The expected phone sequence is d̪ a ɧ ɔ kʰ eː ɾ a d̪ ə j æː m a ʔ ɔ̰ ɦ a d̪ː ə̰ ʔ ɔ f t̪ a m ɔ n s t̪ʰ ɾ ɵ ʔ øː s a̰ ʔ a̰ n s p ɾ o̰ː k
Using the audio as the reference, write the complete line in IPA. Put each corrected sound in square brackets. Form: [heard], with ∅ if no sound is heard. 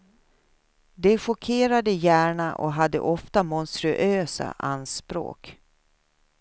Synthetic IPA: d̪ [ɛ] ɧ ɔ kʰ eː ɾ a d̪ ə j æː [ɳ] a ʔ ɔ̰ ɦ a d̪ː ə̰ ʔ ɔ f t̪ a m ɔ n s [t̪] ɾ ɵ ʔ øː s a̰ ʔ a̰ n s p ɾ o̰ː k